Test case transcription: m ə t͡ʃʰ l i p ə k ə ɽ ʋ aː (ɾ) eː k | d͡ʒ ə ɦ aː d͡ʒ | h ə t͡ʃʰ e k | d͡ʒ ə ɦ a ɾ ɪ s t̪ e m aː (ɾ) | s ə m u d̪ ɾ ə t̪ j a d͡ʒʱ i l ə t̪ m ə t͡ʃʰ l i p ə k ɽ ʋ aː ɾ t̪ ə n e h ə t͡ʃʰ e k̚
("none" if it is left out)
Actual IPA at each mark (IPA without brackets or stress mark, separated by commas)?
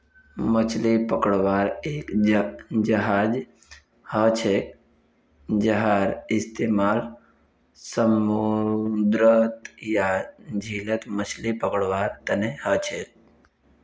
ɾ, l